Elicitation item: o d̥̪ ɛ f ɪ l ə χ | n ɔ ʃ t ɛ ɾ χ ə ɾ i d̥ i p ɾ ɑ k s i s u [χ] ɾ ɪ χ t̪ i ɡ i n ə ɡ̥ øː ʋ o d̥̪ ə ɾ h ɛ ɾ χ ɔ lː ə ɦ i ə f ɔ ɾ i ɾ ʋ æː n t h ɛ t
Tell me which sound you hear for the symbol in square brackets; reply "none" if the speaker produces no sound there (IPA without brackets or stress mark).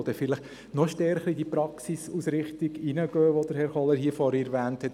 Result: s